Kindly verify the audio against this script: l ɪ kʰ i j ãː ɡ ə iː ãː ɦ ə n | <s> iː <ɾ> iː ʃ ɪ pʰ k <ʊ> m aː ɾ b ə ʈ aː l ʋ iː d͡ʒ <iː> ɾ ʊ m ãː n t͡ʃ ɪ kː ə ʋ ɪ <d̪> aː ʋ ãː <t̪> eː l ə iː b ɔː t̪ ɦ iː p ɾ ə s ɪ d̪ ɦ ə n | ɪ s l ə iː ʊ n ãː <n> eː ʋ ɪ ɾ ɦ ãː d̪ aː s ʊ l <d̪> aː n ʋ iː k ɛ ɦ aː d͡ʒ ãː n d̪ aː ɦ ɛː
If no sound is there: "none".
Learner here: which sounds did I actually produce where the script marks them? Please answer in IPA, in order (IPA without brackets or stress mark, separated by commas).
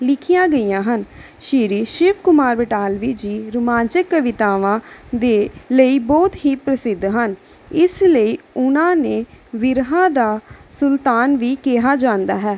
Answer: ʃ, ɾ, ʊ, iː, t̪, d̪, n, t̪